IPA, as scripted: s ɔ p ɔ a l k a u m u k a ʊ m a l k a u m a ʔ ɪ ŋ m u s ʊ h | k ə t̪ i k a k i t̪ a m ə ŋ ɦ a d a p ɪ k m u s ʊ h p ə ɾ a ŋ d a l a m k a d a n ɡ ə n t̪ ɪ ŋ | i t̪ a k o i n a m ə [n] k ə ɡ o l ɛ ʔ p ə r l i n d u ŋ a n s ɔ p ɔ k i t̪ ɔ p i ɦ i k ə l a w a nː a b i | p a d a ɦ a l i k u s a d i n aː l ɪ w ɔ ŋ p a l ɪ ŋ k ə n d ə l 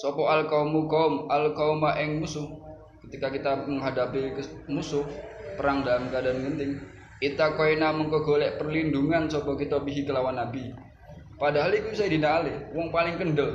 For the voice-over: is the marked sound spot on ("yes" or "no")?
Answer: no